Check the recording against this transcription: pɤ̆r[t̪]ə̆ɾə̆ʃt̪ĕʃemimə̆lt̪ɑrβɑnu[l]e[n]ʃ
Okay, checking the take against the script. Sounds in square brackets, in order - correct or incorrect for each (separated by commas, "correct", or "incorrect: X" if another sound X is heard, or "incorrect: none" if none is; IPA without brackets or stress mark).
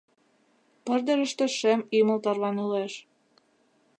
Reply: incorrect: d̪, correct, incorrect: none